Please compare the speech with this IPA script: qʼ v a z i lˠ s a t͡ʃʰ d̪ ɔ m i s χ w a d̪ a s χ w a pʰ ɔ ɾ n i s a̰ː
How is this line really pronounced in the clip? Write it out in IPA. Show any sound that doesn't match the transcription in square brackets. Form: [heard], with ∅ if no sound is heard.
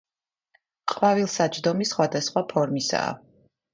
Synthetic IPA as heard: qʼ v a [v] i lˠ s a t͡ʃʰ d̪ ɔ m i s χ w a d̪ a s χ w a pʰ ɔ ɾ [m] i s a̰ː